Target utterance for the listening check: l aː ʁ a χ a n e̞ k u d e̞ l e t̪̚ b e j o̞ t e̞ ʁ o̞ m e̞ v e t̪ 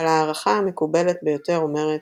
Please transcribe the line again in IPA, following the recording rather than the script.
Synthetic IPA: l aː ʁ a χ a m e̞ k u b e̞ l e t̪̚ b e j o̞ t e̞ ʁ o̞ m e̞ ʁ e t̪